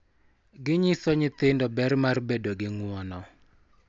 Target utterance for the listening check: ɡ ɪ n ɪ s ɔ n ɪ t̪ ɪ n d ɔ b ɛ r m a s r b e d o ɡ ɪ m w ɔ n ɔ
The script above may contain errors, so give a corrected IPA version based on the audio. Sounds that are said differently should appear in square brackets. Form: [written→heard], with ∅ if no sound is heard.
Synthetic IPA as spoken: ɡ ɪ [n→ɲ] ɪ s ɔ [n→ɲ] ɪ t̪ ɪ n d ɔ b ɛ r m a [s→∅] r b e d o ɡ ɪ [m→ŋ] w ɔ n ɔ